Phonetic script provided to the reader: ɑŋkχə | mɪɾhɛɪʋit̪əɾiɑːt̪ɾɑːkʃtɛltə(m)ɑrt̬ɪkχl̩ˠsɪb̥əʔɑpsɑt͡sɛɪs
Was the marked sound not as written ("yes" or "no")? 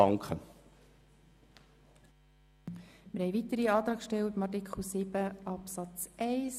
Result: no